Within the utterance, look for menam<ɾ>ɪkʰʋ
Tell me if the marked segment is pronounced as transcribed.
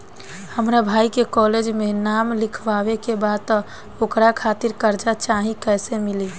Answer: no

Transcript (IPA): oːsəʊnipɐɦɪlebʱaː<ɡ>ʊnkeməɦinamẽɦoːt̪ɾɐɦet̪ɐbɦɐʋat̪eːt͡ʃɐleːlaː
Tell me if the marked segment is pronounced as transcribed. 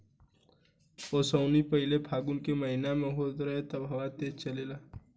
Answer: yes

